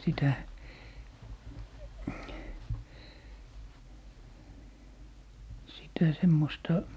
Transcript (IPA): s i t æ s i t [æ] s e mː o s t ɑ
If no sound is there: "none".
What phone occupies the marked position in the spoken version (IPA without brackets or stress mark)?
æ